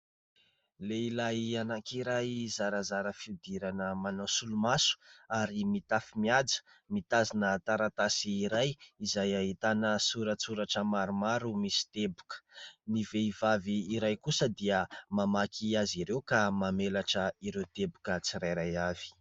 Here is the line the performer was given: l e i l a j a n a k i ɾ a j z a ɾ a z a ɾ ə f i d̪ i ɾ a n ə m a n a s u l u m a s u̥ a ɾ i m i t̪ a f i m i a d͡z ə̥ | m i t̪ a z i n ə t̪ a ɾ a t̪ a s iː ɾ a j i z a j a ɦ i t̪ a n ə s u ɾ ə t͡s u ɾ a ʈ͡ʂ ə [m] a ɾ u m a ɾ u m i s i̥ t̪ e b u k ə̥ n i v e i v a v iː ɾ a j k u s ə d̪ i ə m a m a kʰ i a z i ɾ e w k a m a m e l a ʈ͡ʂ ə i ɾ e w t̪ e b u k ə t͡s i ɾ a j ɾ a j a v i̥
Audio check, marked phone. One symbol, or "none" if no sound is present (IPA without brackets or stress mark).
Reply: m